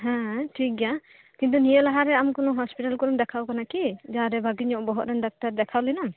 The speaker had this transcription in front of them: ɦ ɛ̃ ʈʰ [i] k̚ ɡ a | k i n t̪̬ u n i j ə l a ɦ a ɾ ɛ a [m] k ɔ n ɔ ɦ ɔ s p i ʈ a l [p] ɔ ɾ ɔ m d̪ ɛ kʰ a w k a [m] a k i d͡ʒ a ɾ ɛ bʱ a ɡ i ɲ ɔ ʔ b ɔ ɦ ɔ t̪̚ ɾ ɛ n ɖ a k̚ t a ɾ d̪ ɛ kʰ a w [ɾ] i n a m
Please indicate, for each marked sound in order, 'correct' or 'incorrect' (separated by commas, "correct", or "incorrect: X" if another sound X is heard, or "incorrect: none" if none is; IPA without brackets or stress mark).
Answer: correct, correct, incorrect: k, incorrect: n, incorrect: l